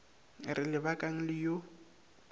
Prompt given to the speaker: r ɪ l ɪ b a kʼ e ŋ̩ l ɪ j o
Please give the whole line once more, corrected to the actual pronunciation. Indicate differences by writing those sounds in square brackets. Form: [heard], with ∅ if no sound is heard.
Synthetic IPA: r ɪ l ɪ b a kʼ [a] ŋ̩ l ɪ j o